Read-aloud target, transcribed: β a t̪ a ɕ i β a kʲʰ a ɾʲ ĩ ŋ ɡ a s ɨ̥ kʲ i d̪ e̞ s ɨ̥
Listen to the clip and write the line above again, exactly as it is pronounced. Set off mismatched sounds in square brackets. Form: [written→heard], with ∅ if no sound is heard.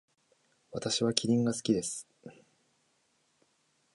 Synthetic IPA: β a t̪ a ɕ i β a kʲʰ [a→i] ɾʲ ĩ ŋ ɡ a s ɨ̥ kʲ i d̪ e̞ s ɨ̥